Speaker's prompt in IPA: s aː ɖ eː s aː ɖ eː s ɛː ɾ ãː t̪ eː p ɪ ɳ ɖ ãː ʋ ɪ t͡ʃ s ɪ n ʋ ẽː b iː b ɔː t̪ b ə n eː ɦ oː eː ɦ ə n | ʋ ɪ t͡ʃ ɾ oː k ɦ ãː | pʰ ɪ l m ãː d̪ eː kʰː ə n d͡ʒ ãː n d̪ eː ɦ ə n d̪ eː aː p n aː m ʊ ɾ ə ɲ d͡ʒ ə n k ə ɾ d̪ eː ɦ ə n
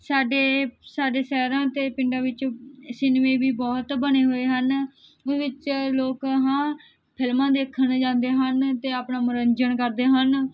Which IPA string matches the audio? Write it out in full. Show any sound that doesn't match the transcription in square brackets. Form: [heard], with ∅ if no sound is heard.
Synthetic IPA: s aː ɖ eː s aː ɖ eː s ɛː ɾ ãː t̪ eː p ɪ ɳ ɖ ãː ʋ ɪ t͡ʃ s ɪ n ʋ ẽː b iː b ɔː t̪ b ə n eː ɦ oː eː ɦ ə n | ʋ ɪ t͡ʃ [l] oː k ɦ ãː | pʰ ɪ l m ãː d̪ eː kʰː ə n d͡ʒ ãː n d̪ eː ɦ ə n [t̪] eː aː p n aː m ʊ ɾ ə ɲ d͡ʒ ə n k ə ɾ d̪ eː ɦ ə n